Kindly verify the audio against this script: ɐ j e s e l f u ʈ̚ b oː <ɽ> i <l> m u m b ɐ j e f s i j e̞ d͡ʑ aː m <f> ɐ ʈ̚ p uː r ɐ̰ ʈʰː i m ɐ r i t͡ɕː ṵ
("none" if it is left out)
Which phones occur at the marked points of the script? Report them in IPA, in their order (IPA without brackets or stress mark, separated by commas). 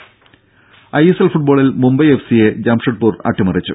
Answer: ɭ, l, ʂ